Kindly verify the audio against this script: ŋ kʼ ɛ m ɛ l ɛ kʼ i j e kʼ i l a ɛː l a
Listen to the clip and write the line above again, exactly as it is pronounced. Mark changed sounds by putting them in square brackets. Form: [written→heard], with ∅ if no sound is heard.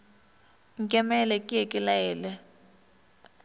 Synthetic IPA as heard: ŋ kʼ ɛ m ɛ l ɛ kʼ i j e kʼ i l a ɛː l [a→ɛ]